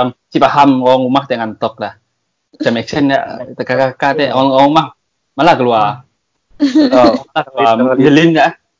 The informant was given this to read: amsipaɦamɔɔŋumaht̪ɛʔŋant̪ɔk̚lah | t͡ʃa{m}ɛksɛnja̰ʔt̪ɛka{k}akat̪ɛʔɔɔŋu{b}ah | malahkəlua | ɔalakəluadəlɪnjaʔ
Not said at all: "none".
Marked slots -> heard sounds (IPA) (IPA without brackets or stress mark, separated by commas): m, k, m